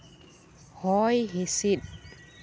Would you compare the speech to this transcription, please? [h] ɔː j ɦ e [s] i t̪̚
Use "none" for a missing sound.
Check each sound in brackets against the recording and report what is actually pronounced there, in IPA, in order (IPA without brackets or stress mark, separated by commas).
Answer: h, s